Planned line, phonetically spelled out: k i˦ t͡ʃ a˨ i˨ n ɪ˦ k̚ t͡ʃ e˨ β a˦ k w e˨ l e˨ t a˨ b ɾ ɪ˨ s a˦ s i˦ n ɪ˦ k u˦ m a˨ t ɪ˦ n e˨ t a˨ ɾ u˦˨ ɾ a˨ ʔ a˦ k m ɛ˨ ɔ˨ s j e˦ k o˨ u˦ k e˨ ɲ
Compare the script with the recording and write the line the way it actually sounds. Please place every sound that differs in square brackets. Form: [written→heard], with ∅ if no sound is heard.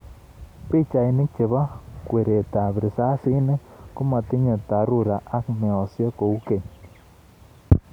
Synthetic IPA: [k→p] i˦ t͡ʃ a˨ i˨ n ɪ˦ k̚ t͡ʃ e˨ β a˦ k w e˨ [l→ɾ] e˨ t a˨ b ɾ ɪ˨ s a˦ s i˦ n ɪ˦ k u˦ m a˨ t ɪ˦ [n→ɲ] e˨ t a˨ ɾ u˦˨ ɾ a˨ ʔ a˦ k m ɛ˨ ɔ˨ s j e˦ k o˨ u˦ k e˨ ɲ